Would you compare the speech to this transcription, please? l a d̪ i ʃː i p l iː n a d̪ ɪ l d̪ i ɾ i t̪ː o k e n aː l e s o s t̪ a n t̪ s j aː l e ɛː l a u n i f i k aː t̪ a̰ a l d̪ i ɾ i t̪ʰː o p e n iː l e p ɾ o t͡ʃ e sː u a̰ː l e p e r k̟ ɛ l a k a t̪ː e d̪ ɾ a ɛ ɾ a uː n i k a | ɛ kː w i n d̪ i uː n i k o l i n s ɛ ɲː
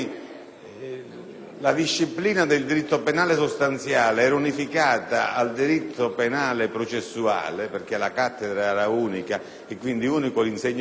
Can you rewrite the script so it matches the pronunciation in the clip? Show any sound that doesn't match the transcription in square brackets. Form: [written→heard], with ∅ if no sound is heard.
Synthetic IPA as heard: l a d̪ i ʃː i p l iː n a d̪ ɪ l d̪ i ɾ i t̪ː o [k→p] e n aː l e s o s t̪ a n t̪ s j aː l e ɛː [l→ɾ] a u n i f i k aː t̪ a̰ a l d̪ i ɾ i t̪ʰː o p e n [iː→aː] l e p ɾ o t͡ʃ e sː u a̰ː l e p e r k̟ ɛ l a k a t̪ː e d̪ ɾ a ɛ ɾ a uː n i k a | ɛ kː w i n d̪ i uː n i k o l i n s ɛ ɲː